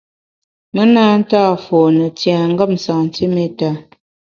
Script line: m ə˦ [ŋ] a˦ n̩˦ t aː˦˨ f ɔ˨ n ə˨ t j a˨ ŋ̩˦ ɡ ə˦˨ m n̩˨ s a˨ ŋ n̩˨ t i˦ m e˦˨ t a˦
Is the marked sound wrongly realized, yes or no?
yes